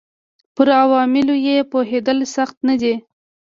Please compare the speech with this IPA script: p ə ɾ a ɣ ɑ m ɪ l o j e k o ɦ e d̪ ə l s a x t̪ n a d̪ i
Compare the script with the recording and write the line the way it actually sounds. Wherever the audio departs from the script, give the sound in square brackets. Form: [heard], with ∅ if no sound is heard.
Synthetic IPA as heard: p ə ɾ a [w] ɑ m ɪ l o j e [p] o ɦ e d̪ ə l s a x t̪ n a d̪ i

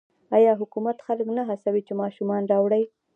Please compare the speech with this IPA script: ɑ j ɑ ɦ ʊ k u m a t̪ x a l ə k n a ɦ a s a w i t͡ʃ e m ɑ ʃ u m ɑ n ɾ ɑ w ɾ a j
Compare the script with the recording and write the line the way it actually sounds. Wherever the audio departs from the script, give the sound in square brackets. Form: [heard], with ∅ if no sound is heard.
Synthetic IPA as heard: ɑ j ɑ ɦ ʊ k u m a t̪ x a l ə k n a ɦ a s a w i t͡ʃ e m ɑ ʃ u m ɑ n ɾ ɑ w [ɽ] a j

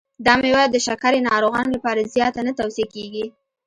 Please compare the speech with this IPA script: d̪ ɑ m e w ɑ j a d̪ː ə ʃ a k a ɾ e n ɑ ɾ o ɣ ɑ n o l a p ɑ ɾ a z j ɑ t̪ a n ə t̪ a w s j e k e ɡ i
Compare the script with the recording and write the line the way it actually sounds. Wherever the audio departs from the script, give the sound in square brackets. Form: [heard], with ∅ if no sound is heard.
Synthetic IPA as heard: d̪ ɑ m e w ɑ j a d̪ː ə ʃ a k a ɾ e n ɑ ɾ o ɣ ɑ n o l a p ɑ ɾ a z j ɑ t̪ a n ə t̪ a w s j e k e ɡ i

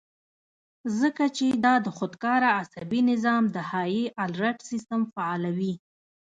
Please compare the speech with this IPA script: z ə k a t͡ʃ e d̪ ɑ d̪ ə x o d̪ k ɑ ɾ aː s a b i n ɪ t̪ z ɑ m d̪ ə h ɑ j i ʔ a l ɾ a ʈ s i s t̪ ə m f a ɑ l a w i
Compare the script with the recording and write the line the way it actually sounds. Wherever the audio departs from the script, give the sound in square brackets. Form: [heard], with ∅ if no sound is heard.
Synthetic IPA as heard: z ə k a t͡ʃ e d̪ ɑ d̪ ə x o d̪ k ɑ ɾ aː s a b i n ɪ [∅] z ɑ m d̪ ə h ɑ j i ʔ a l ɾ a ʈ s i s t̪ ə m f a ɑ l a w i

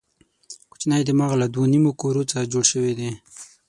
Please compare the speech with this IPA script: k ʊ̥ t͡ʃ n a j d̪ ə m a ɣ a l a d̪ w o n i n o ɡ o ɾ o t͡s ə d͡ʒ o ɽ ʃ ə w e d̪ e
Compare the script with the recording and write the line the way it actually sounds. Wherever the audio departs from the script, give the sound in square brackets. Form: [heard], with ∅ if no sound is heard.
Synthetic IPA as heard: k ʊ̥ t͡ʃ n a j d̪ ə m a ɣ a l a d̪ w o n i [m] o [k] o ɾ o t͡s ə d͡ʒ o ɽ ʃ ə w e d̪ e

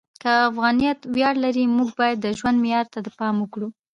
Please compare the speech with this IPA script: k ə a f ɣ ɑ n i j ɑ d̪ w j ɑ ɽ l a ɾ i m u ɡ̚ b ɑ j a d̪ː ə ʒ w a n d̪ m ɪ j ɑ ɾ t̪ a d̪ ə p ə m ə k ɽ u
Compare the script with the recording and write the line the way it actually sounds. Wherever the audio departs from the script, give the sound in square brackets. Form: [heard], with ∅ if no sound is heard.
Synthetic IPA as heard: k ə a f ɣ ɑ n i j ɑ [t̪] w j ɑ ɽ l a ɾ i m u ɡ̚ b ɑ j a d̪ː ə ʒ w a n d̪ m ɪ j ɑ ɾ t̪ a d̪ ə p [ɑ] m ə k ɽ u

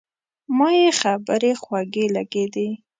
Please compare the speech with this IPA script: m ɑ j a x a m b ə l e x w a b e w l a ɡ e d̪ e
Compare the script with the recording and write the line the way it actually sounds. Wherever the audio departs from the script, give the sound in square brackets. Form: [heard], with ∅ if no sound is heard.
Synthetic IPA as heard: m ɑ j [e] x a [∅] b ə [ɾ] e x w a [ɡ] e [∅] l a ɡ e d̪ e

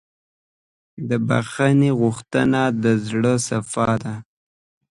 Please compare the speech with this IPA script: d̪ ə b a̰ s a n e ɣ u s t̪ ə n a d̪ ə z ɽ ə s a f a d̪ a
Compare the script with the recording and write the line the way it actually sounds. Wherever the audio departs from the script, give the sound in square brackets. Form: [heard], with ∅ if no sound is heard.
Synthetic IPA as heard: d̪ ə b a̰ [x] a n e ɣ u [x] t̪ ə n a d̪ ə z ɽ ə s a f [ɑ] d̪ a

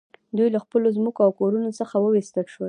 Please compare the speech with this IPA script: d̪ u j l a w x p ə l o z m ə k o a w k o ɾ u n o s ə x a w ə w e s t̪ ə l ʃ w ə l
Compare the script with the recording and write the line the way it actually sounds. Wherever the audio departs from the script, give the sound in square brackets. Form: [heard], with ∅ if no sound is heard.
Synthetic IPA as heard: d̪ u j l a [∅] x p ə l o z m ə k o a w k o ɾ u n o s ə x a w ə w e s t̪ ə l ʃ w ə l

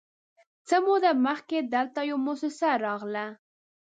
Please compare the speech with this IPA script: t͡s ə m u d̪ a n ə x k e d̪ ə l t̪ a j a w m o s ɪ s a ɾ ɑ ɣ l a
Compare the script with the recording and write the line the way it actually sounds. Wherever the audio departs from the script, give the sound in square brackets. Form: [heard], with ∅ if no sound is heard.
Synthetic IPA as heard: t͡s ə m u d̪ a [m] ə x k e d̪ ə l t̪ a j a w m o s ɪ s a ɾ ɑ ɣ l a

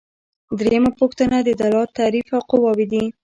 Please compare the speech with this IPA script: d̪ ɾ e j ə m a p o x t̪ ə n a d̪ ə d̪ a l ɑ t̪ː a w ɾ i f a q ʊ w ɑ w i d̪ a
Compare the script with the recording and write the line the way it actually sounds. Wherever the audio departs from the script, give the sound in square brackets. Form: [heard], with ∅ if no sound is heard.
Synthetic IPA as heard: d̪ ɾ e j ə m a p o x t̪ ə n a d̪ ə d̪ a l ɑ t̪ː a [∅] ɾ i f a q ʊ w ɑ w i d̪ [i]

